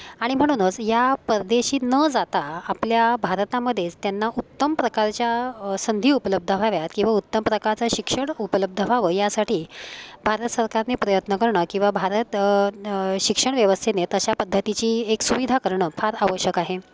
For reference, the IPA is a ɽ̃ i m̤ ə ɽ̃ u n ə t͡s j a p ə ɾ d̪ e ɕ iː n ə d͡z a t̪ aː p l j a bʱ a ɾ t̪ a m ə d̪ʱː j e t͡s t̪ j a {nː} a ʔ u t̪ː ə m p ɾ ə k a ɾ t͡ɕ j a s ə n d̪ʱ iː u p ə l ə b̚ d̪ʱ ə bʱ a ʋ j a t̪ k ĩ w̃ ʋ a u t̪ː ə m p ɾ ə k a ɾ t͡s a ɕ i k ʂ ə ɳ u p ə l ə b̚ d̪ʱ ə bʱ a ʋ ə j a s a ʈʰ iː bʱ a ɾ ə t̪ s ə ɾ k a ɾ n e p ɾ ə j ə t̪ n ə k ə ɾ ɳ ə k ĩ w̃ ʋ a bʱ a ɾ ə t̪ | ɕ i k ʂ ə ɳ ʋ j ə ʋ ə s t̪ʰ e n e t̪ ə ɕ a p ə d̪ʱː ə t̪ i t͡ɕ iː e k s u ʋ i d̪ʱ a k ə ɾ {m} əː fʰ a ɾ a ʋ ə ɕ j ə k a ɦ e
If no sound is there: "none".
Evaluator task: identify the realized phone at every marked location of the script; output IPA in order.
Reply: nː, ɳ

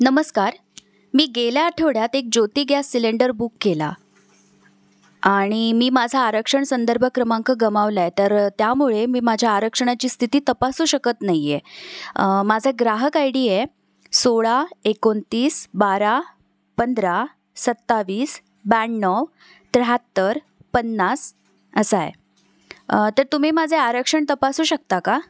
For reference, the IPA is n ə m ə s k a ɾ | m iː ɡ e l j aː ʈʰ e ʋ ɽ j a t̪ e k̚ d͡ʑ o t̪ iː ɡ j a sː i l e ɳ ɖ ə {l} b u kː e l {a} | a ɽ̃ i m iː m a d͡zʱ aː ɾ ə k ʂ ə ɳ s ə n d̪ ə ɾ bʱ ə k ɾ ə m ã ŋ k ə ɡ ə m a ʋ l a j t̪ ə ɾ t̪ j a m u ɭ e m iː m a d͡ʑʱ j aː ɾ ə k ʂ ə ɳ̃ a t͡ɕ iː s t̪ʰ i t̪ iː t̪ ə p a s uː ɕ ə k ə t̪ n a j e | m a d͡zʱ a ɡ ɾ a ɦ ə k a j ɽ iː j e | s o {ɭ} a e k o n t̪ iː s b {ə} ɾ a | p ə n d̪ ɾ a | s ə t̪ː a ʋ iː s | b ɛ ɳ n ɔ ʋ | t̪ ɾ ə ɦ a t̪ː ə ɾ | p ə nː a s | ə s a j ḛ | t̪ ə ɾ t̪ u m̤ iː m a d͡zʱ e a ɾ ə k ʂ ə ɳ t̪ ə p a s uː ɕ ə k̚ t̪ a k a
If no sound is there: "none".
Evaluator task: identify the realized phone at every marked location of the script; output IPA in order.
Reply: ɾ, a, ɭ, a

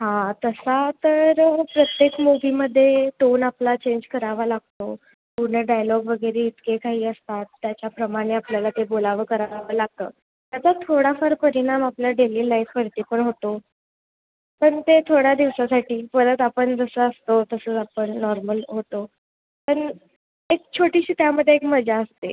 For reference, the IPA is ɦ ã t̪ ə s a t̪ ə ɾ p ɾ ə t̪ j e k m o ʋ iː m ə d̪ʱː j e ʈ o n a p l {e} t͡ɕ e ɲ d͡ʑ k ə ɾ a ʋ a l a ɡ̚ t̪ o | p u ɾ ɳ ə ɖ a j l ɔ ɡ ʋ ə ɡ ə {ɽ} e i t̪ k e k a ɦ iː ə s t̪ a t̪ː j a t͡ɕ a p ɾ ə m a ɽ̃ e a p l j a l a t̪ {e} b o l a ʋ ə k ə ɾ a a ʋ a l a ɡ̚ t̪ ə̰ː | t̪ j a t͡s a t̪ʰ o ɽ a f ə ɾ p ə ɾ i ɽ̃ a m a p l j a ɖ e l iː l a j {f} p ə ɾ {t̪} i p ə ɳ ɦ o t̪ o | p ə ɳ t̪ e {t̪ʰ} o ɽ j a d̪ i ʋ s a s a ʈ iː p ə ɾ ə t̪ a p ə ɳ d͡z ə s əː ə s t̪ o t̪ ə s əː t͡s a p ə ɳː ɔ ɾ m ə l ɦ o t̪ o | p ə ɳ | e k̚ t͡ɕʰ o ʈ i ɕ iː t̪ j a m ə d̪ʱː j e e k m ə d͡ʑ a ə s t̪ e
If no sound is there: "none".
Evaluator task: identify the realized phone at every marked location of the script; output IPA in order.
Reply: a, ɾ, e, f, t̪, t̪ʰ

